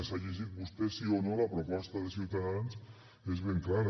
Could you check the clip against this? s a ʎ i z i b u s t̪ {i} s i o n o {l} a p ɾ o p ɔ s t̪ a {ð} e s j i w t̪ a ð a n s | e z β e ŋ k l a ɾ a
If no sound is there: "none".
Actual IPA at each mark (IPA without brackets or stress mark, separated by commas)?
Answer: e, l, ð